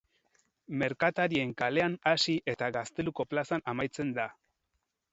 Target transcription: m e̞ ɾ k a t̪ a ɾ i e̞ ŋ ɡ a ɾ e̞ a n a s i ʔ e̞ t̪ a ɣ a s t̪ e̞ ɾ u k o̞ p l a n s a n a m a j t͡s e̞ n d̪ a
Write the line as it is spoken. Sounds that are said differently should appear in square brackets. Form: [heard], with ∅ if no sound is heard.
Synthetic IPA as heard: m e̞ ɾ k a t̪ a ɾ i e̞ ŋ [k] a [l] e̞ a n a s i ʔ e̞ t̪ a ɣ a s t̪ e̞ [l] u k o̞ p l a [∅] s a n a m a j t͡s e̞ n d̪ a